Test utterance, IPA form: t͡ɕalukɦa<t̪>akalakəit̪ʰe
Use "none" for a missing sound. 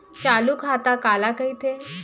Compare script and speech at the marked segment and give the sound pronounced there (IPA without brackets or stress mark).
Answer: t̪